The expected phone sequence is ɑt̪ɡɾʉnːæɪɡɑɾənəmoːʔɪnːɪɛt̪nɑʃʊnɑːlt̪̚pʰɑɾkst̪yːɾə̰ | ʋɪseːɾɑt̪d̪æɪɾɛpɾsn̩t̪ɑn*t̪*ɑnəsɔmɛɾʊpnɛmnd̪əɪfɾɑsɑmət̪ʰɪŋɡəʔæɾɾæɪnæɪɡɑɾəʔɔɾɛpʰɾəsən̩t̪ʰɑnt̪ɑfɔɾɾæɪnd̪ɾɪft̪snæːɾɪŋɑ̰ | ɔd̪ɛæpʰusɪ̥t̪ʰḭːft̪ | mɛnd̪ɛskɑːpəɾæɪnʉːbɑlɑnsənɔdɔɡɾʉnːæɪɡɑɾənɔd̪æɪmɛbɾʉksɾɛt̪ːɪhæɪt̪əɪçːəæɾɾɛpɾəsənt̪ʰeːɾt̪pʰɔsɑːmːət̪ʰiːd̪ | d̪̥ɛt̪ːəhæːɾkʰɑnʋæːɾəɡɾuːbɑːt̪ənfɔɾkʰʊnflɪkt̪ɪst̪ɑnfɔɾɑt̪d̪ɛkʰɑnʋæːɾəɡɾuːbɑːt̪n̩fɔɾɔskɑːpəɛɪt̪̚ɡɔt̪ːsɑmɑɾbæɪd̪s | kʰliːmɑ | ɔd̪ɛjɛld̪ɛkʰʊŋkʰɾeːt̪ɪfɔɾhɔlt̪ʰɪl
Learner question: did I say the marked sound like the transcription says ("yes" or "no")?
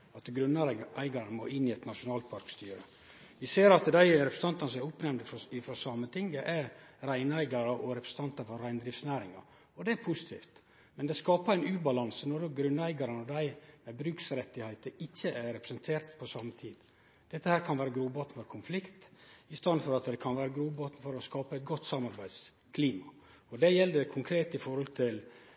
yes